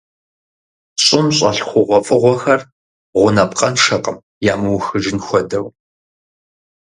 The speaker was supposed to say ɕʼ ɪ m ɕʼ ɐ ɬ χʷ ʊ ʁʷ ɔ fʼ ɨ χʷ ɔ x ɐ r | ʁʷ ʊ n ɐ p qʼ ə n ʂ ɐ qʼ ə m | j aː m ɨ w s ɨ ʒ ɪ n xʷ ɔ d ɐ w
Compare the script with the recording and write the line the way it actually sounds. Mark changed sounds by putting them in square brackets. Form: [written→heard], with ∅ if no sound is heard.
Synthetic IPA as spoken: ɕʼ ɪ m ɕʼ ɐ ɬ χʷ ʊ ʁʷ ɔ fʼ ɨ [χʷ→ʁʷ] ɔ x ɐ r | ʁʷ ʊ n ɐ p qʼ [ə→ɐ] n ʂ ɐ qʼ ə m | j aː m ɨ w [s→x] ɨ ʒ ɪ n xʷ ɔ d ɐ w

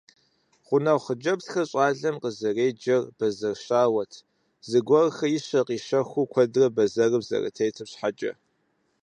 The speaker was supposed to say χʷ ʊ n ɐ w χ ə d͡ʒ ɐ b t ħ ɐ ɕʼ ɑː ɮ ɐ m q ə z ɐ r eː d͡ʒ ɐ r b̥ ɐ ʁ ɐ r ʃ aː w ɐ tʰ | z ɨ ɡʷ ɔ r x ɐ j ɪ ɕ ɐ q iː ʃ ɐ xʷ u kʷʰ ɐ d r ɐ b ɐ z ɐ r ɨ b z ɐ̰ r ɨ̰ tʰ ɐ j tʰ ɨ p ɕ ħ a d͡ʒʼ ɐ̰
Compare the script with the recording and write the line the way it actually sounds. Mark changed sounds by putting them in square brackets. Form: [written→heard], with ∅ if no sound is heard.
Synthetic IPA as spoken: χʷ ʊ n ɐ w χ ə d͡ʒ ɐ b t [ħ→x] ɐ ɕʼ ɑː ɮ ɐ m q ə z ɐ r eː d͡ʒ ɐ r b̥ ɐ [ʁ→z] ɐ r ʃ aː w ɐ tʰ | z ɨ ɡʷ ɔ r x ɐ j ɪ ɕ ɐ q iː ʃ ɐ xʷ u kʷʰ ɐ d r ɐ b ɐ z ɐ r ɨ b z ɐ̰ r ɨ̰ tʰ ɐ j tʰ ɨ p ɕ ħ a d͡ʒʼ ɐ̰

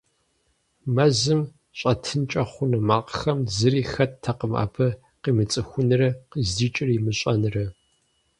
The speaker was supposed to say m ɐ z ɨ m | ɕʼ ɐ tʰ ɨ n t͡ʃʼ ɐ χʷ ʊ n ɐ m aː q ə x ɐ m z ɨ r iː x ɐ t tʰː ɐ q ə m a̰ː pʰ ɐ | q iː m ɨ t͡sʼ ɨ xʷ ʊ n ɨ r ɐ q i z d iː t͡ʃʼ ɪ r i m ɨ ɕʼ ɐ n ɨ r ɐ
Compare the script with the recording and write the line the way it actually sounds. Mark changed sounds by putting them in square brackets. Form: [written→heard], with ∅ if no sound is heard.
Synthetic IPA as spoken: m ɐ z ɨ m | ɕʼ ɐ tʰ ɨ n t͡ʃʼ ɐ χʷ ʊ n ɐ m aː q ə x ɐ m z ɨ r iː x ɐ t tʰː ɐ q ə m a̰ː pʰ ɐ | q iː m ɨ t͡sʼ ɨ xʷ ʊ n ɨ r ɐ q i z d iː t͡ʃʼ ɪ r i m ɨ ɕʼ ɐ n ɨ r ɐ

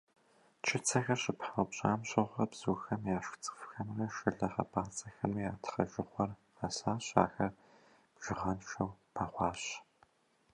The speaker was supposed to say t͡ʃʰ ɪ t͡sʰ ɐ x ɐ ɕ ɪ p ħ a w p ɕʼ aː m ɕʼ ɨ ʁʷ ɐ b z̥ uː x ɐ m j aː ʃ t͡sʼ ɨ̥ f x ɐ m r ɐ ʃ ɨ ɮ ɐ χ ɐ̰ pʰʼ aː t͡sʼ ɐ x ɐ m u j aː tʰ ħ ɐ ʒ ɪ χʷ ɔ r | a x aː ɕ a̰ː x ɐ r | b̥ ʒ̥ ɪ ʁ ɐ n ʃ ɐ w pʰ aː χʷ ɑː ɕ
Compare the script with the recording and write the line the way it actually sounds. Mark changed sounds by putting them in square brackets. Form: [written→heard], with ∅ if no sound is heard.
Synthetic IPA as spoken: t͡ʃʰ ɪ t͡sʰ ɐ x ɐ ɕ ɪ p ħ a w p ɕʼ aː m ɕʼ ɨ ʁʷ ɐ b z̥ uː x ɐ m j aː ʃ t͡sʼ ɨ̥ f x ɐ m r ɐ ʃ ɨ ɮ ɐ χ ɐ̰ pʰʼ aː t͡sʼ ɐ x ɐ m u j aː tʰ [ħ→χ] ɐ ʒ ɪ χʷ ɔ r | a [x→s] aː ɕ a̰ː x ɐ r | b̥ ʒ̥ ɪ ʁ ɐ n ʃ ɐ w pʰ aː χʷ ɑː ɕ

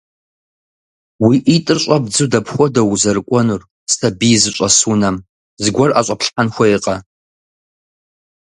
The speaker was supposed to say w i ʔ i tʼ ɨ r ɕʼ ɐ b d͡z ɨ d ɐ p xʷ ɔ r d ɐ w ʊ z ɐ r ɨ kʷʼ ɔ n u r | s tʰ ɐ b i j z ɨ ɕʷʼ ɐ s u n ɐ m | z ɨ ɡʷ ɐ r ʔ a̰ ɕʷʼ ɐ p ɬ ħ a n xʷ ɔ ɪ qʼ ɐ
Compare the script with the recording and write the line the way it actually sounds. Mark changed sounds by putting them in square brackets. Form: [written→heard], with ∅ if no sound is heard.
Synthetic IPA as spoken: w i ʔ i tʼ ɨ r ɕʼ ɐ b d͡z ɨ d ɐ p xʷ ɔ [r→∅] d ɐ w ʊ z ɐ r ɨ kʷʼ ɔ n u r | s tʰ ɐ b i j z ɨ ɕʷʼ ɐ s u n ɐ m | z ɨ ɡʷ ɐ r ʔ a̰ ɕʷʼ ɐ p ɬ ħ a n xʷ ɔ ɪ qʼ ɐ

